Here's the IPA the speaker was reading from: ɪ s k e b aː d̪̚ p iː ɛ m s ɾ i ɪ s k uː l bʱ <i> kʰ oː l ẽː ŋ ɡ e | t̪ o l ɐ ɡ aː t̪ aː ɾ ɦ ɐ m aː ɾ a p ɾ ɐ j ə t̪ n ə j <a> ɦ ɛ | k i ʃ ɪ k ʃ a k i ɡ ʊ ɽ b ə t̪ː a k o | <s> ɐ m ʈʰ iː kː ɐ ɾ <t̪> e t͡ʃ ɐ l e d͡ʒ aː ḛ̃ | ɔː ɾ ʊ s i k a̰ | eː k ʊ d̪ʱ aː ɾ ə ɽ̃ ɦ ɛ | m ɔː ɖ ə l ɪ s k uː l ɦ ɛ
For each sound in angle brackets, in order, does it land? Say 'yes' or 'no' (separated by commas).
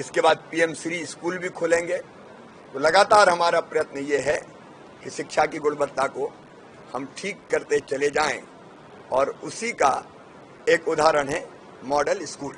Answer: yes, no, no, yes